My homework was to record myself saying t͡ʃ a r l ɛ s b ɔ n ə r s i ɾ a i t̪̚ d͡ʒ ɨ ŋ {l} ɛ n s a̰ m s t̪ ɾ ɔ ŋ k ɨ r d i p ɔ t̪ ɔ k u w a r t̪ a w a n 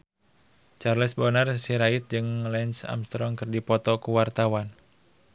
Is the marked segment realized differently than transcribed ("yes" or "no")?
no